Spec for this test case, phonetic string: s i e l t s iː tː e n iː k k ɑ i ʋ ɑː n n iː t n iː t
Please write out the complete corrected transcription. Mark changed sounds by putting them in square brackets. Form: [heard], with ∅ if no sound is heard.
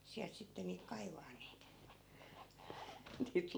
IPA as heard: s i [æ] l t s [i] tː e n iː k k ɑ i ʋ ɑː n n iː t n iː t